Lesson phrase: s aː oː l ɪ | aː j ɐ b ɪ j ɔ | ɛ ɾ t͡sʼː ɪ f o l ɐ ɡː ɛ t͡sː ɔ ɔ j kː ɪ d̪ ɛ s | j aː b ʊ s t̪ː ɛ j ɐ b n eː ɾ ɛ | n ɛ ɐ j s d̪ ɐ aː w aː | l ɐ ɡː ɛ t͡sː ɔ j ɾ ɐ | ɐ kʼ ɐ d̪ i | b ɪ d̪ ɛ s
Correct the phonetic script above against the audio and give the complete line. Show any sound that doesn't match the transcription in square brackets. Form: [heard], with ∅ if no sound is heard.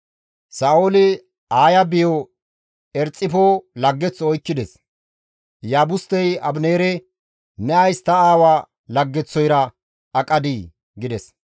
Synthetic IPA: s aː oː l ɪ | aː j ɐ b ɪ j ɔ | ɛ ɾ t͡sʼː ɪ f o l ɐ ɡː ɛ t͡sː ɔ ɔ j kː ɪ d̪ ɛ s | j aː b ʊ s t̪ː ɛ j ɐ b n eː ɾ ɛ | n ɛ ɐ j s [t̪] ɐ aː w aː | l ɐ ɡː ɛ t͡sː ɔ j ɾ ɐ | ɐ kʼ ɐ d̪ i | [ɡ] ɪ d̪ ɛ s

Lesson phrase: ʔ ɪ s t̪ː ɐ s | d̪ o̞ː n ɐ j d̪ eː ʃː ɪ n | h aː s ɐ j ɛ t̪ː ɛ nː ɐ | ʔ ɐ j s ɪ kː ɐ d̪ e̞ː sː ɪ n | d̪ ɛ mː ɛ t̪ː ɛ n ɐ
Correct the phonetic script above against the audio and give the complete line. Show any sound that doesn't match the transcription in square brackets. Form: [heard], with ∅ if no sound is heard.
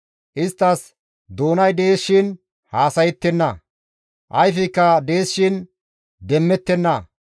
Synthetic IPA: ʔ ɪ s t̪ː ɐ s | d̪ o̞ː n ɐ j d̪ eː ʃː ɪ n | h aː s ɐ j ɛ t̪ː ɛ nː ɐ | ʔ ɐ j [f] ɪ kː ɐ d̪ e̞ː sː ɪ n | d̪ ɛ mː ɛ t̪ː ɛ [nː] ɐ

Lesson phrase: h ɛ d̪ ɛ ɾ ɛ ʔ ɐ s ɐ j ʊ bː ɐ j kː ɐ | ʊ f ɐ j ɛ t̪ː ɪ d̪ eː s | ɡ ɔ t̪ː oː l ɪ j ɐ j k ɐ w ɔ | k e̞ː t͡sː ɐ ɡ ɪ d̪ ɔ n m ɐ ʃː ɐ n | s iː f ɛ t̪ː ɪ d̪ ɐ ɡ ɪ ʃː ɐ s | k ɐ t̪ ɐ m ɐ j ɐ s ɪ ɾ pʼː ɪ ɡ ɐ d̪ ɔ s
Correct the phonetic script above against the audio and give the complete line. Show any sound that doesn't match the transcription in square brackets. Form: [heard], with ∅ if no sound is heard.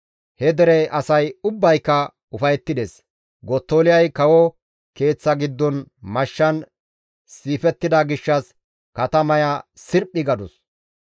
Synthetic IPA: h ɛ d̪ ɛ ɾ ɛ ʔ ɐ s ɐ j ʊ bː ɐ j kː ɐ | ʊ f ɐ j ɛ t̪ː ɪ d̪ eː s | ɡ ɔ t̪ː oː l ɪ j ɐ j k ɐ w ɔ | k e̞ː t͡sː ɐ ɡ ɪ [d̪ː] ɔ n m ɐ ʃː ɐ n | s iː f ɛ t̪ː ɪ d̪ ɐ ɡ ɪ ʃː ɐ s | k ɐ t̪ ɐ m ɐ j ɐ s ɪ ɾ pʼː ɪ ɡ ɐ d̪ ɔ s

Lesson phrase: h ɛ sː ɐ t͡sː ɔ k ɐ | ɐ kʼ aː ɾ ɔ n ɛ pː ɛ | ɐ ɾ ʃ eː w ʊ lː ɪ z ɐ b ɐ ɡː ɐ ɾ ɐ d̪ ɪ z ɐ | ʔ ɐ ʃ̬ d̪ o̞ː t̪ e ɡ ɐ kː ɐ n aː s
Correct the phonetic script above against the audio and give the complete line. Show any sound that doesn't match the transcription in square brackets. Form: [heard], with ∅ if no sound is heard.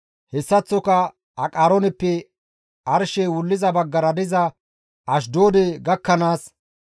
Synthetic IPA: h ɛ sː ɐ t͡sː ɔ k ɐ | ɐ kʼ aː ɾ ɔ n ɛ pː ɛ | ɐ ɾ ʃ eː w ʊ lː ɪ z ɐ b ɐ ɡː ɐ ɾ ɐ d̪ ɪ z ɐ | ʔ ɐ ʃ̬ d̪ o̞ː [d̪] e ɡ ɐ kː ɐ n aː s

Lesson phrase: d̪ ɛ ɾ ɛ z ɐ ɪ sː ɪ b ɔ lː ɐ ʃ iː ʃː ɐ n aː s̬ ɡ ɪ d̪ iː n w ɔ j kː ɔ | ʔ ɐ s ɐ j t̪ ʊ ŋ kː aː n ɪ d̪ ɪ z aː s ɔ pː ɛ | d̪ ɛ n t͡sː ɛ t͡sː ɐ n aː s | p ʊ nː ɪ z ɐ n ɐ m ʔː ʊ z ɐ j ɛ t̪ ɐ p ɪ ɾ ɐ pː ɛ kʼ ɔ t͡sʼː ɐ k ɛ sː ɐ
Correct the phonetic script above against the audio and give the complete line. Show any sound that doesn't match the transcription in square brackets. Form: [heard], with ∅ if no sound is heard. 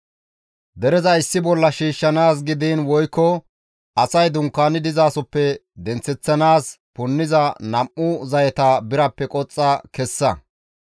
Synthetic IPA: d̪ ɛ ɾ ɛ z ɐ ɪ sː ɪ b ɔ lː ɐ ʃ iː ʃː ɐ n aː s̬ ɡ ɪ d̪ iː n w ɔ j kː ɔ | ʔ ɐ s ɐ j [d̪] ʊ ŋ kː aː n ɪ d̪ ɪ z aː s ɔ pː ɛ | d̪ ɛ n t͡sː ɛ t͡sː ɐ n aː s | p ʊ nː ɪ z ɐ n ɐ m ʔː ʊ z ɐ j ɛ t̪ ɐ [b] ɪ ɾ ɐ pː ɛ kʼ ɔ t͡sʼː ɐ k ɛ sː ɐ

